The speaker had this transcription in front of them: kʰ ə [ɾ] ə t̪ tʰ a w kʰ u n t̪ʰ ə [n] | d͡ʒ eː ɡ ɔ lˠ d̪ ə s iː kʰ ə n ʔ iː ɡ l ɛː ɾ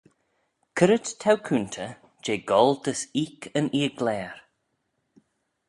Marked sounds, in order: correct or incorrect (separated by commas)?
correct, incorrect